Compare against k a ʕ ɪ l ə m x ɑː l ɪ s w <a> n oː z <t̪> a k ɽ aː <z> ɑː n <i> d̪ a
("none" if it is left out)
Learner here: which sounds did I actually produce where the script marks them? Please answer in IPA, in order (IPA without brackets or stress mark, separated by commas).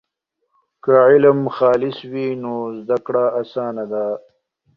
i, d̪, s, a